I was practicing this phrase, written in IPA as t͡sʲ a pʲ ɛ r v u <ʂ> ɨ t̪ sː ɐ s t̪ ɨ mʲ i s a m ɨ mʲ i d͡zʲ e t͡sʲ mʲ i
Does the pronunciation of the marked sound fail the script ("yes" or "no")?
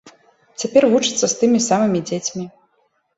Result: yes